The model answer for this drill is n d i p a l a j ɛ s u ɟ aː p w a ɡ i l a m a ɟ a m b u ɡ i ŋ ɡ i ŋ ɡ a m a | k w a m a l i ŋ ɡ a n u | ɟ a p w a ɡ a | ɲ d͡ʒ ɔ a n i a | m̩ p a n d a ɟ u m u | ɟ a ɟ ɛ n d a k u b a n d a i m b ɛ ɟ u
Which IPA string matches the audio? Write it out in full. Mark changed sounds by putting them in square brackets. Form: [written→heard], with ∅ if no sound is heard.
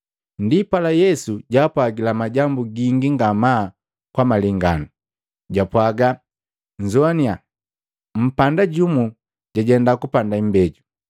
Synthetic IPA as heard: n d i p a l a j ɛ s u ɟ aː p w a ɡ i l a m a ɟ a m b u ɡ i ŋ ɡ i ŋ ɡ a m a | k w a m a l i ŋ ɡ a n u | ɟ a p w a ɡ a | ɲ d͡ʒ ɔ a n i a | m̩ p a n d a ɟ u m u | ɟ a ɟ ɛ n d a k u [b→p] a n d a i m b ɛ ɟ u